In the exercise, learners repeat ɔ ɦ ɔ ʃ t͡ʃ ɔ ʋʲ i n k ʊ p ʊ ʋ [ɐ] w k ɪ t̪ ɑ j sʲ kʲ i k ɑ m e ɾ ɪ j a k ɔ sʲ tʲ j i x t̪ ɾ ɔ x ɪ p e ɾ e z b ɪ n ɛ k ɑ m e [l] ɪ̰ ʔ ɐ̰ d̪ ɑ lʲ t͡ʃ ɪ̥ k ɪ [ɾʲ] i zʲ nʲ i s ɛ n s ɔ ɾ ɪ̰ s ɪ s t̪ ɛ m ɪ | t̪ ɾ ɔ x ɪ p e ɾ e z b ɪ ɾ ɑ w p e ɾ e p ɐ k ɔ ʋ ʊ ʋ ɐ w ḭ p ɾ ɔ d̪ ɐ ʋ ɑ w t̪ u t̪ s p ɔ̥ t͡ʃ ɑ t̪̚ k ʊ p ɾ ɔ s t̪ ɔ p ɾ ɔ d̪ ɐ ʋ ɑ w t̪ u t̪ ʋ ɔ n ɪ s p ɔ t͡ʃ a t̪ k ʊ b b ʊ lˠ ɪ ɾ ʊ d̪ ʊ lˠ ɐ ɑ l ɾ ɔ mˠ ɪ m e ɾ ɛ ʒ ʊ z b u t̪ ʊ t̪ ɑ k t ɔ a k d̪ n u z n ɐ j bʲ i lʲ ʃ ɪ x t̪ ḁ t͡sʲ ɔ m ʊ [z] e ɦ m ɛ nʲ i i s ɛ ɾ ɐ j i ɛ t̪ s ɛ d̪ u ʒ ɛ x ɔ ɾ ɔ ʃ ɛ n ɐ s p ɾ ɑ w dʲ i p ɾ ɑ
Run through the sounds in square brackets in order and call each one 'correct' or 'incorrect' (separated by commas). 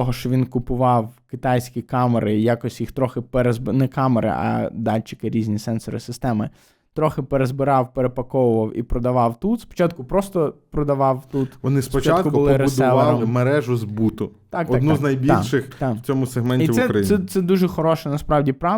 incorrect, incorrect, correct, incorrect